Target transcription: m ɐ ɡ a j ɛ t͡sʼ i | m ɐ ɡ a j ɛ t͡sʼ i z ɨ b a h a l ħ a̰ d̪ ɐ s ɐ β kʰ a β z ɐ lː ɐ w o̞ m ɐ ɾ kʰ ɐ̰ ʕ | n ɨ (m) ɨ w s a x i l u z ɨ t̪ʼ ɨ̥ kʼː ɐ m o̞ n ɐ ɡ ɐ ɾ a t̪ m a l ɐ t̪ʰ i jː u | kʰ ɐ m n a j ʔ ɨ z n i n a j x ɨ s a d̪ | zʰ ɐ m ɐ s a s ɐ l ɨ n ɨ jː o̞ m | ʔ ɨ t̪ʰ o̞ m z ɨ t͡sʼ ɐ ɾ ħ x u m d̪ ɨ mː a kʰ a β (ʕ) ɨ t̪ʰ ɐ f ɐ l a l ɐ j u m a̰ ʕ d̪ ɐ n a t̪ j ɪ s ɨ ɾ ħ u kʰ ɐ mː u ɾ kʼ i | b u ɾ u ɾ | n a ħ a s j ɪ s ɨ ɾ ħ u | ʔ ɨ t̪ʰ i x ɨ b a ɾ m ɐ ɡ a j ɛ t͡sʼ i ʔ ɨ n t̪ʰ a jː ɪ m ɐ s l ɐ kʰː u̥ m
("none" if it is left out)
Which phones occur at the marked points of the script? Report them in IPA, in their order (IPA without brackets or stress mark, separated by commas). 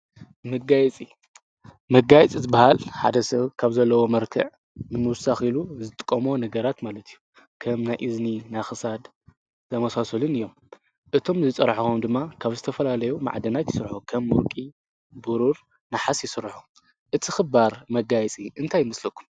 m, z